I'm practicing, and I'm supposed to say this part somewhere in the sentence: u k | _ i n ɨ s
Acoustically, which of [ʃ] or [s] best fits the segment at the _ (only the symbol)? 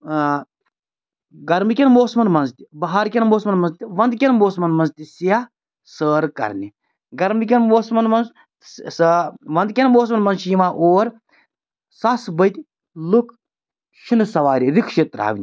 ʃ